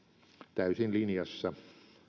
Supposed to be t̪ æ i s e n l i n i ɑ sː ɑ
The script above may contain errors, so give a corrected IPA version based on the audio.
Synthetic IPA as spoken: t̪ æ y s i n l i n j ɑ sː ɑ